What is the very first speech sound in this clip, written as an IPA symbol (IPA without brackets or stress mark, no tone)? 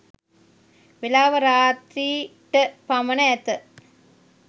ʋ